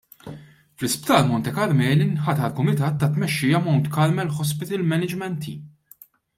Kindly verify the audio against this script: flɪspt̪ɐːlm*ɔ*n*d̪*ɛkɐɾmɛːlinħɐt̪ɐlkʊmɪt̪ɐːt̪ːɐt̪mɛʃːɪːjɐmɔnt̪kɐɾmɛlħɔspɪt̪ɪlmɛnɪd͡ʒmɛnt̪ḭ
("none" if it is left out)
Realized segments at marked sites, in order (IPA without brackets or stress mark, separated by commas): ɔ, t̪